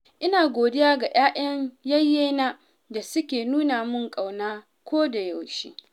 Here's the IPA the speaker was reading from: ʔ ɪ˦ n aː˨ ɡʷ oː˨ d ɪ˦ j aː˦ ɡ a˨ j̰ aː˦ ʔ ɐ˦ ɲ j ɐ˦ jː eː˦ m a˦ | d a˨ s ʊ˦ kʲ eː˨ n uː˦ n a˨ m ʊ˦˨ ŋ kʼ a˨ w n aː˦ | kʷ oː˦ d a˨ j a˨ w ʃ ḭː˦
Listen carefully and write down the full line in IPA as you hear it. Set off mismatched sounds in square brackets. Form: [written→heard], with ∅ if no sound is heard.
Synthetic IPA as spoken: ʔ ɪ˦ n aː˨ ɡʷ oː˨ d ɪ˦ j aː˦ ɡ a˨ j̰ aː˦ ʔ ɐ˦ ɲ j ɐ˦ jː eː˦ [m→n] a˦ | d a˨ s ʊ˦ kʲ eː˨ n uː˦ n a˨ m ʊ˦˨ ŋ kʼ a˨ w n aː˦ | kʷ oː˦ d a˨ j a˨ w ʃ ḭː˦